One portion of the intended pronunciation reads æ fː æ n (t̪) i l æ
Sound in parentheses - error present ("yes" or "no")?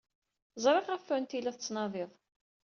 no